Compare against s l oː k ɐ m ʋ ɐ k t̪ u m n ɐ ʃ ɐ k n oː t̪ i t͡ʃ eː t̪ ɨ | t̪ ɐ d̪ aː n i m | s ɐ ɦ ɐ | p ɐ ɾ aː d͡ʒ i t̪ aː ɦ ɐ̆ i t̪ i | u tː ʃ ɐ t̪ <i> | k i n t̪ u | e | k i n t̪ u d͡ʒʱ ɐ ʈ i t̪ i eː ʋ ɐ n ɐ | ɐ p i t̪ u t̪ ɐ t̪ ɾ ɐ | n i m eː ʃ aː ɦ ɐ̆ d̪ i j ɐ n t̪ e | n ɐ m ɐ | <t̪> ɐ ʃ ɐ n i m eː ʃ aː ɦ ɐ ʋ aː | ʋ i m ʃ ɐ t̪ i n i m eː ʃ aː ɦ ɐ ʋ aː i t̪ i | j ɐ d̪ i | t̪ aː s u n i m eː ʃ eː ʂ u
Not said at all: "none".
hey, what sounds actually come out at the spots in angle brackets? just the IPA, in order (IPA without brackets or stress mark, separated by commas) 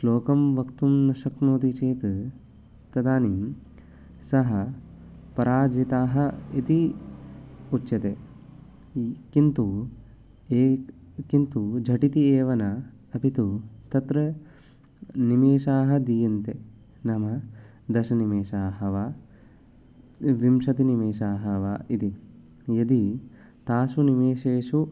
e, d̪